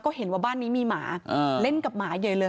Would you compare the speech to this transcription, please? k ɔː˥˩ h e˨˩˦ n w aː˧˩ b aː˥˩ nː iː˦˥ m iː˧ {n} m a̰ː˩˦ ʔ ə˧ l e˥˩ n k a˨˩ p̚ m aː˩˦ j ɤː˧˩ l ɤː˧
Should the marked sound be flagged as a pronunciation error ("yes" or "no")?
yes